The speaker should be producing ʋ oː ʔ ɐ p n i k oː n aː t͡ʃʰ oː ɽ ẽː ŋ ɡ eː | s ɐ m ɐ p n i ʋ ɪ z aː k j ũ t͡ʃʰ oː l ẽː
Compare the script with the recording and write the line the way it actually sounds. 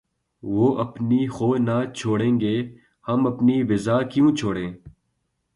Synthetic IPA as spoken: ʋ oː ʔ ɐ p n i x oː n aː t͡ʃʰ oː ɽ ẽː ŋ ɡ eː | h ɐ m ɐ p n i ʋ ɪ z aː k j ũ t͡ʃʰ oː ɽ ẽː